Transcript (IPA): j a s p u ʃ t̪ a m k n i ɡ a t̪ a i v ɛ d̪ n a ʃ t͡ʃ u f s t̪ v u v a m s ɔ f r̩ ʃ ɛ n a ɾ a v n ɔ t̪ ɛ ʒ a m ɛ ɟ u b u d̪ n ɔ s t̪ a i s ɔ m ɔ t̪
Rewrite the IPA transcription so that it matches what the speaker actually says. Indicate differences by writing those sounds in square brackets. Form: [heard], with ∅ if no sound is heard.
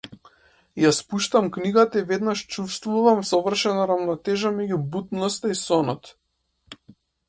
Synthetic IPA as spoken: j a s p u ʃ t̪ a m k n i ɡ a t̪ a i v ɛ d̪ n a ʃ t͡ʃ u f s t̪ v u v a m s ɔ [v] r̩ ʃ ɛ n a ɾ a v n ɔ t̪ ɛ ʒ a m ɛ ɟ u b u [t̪] n ɔ s t̪ a i s ɔ [n] ɔ t̪